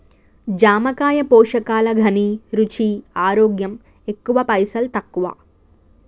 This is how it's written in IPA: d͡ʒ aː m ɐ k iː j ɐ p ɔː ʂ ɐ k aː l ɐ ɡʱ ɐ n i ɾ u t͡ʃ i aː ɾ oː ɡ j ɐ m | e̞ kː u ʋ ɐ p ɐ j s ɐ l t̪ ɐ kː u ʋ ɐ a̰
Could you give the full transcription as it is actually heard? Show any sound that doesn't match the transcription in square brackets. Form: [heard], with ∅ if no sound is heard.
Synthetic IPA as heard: d͡ʒ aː m ɐ k [aː] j ɐ p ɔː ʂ ɐ k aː l ɐ ɡʱ ɐ n i ɾ u t͡ʃ i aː ɾ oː ɡ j ɐ m | e̞ kː u ʋ ɐ p ɐ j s ɐ l t̪ ɐ kː u ʋ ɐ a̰